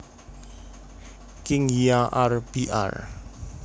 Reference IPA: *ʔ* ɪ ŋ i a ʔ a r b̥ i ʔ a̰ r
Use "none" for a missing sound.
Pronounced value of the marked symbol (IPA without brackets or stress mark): k